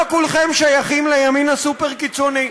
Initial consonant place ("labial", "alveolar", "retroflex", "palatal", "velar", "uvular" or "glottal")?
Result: velar